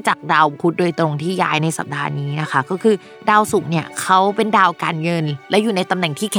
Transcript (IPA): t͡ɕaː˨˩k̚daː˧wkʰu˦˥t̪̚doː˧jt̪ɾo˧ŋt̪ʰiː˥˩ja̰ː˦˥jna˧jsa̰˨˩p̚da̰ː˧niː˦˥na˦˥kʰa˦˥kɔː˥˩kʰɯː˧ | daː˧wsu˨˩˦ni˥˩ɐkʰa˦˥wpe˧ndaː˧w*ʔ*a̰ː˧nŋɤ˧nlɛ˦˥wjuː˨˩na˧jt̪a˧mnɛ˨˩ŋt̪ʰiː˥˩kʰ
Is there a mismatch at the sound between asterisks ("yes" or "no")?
yes